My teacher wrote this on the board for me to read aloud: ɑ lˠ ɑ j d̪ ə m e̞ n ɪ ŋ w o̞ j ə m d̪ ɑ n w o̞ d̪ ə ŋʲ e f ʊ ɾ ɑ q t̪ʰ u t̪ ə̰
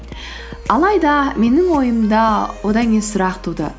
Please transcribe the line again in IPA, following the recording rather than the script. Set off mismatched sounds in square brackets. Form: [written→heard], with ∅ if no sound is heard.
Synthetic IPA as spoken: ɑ lˠ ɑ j d̪ [ə→ɑ] m e̞ n ɪ ŋ w o̞ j ə m d̪ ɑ [n→∅] w o̞ d̪ [ə→ɑ] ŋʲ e [f→s] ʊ ɾ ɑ q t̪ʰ u [t̪→d̪] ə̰